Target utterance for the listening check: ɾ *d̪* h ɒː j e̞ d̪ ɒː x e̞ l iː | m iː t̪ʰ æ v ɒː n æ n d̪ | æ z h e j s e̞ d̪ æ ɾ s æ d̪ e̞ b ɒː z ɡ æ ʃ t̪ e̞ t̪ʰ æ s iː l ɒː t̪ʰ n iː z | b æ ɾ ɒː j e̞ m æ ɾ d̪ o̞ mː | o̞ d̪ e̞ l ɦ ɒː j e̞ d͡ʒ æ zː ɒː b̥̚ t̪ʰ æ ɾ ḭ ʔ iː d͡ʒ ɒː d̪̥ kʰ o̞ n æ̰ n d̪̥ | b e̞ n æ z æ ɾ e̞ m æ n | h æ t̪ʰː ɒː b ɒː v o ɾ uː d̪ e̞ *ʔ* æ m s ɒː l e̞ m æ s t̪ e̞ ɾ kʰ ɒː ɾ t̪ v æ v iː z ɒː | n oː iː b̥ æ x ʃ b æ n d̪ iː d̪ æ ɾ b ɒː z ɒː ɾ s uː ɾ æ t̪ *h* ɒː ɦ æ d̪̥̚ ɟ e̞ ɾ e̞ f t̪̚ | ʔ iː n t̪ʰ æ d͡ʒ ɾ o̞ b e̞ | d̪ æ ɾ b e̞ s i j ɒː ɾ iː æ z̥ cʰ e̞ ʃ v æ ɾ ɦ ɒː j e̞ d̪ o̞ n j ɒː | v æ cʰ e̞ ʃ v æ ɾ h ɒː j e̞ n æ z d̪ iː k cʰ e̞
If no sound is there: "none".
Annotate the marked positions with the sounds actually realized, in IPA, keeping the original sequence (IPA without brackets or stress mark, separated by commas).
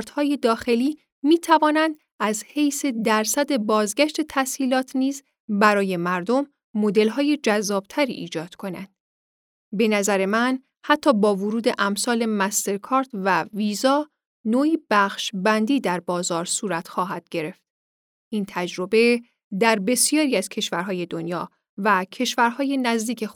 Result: t̪, ʔ, x